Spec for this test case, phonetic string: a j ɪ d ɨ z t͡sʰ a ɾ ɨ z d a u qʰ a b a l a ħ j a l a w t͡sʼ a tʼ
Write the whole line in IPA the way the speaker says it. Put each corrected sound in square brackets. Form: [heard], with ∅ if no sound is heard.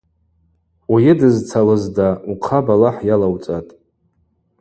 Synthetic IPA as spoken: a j ɪ d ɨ z t͡sʰ a [l] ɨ z d a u qʰ a b a l a ħ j a l a w t͡sʼ a tʼ